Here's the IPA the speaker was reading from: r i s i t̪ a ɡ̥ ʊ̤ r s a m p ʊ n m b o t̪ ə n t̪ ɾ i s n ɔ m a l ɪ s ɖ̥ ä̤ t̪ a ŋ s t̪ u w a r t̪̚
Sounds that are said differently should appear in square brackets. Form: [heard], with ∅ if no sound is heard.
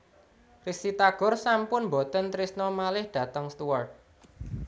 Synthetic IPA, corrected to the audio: r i s i t̪ a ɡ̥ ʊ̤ r s a m p ʊ n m b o t̪ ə n t̪ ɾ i s n ɔ m a l ɪ [h] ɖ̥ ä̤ t̪ [ə] ŋ s t̪ u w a r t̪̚